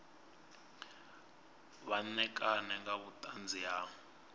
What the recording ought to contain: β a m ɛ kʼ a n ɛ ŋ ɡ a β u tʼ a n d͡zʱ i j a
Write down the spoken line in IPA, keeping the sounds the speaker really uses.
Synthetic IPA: β a n ɛ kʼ a n ɛ ŋ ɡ a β u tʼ a n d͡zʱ i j a